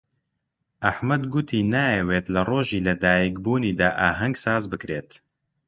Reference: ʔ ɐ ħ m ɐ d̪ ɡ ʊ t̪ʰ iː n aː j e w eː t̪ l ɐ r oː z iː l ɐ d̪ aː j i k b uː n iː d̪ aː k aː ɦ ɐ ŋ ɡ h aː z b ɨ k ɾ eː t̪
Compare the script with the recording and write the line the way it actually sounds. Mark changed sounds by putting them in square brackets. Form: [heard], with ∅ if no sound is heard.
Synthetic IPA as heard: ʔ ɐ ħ m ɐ d̪ ɡ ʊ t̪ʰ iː n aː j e w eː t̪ l ɐ r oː [ʒ] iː l ɐ d̪ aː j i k b uː n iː d̪ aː [ʔ] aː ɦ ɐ ŋ ɡ [s] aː z b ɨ k ɾ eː t̪